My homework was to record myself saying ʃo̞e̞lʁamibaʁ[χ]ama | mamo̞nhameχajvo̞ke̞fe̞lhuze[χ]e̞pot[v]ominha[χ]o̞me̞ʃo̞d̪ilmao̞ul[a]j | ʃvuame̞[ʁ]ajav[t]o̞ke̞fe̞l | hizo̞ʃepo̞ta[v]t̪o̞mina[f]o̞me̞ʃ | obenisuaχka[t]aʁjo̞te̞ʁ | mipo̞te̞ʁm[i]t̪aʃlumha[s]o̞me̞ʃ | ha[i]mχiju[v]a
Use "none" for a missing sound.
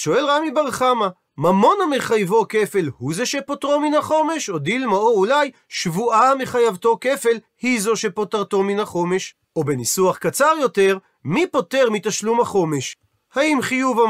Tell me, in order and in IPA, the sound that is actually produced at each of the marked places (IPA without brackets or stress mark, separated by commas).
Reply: χ, ʃ, ʁ, χ, a, χ, t, ʁ, χ, t͡s, i, χ, i, v